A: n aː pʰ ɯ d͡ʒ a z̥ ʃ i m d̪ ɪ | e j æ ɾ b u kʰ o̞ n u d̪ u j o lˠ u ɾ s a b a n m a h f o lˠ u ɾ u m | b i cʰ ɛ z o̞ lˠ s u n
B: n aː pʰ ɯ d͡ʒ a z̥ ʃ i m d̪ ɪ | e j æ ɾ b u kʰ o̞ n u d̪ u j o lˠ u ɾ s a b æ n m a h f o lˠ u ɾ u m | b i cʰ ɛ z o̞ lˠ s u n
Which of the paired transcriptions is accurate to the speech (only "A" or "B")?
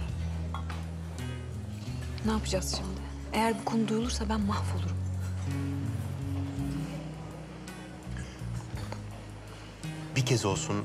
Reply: B